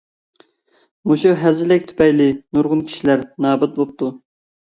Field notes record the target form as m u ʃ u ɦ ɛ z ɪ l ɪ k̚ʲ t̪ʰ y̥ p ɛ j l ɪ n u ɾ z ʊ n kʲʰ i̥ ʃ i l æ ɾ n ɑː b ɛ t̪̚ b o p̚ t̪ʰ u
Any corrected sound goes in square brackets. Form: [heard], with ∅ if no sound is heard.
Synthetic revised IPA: m u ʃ u ɦ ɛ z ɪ l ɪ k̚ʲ t̪ʰ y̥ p ɛ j l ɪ n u ɾ [ʁ] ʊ n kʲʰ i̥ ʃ i l æ ɾ n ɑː b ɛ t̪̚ b o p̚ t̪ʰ u